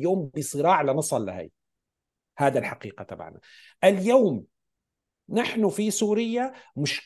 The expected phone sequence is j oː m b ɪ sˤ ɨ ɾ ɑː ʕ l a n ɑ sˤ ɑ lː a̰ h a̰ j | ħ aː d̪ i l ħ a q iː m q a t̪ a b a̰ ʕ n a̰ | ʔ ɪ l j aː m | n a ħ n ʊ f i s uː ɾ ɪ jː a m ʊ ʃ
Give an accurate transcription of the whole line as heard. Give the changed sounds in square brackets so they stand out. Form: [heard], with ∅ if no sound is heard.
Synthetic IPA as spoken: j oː m b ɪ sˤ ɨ ɾ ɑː ʕ l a n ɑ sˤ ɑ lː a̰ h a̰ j | [h] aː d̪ [a] l ħ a q iː [∅] q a t̪ a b a̰ ʕ n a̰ | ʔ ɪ l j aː m | n a ħ n ʊ f i s uː ɾ ɪ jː a m ʊ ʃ